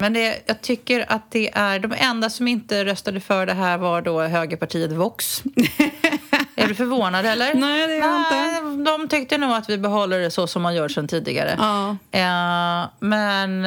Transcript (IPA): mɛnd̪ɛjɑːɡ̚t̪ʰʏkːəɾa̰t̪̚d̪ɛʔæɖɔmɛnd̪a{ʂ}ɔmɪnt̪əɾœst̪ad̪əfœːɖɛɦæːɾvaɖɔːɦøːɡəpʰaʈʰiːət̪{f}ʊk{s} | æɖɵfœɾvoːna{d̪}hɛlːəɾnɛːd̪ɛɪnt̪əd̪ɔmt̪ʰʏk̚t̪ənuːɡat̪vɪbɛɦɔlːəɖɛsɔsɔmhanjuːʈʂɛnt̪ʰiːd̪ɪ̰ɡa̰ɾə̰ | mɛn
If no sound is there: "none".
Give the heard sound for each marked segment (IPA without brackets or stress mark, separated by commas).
s, v, s, d̪